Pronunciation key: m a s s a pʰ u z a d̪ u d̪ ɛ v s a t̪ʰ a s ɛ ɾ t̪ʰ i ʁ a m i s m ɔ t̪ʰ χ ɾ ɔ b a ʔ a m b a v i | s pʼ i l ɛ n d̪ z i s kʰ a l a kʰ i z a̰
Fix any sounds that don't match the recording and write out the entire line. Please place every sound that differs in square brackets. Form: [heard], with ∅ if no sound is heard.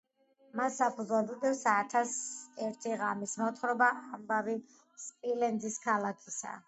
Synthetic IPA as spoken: m a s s a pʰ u z a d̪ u d̪ ɛ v s a t̪ʰ a s ɛ ɾ t̪ʰ i ʁ a m i s m ɔ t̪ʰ χ ɾ ɔ b a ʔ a m b a v i | s pʼ i l ɛ n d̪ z i s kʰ a l a kʰ i [s] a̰